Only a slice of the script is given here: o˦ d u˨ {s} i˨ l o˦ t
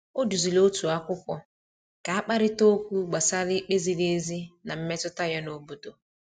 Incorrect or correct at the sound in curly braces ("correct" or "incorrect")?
incorrect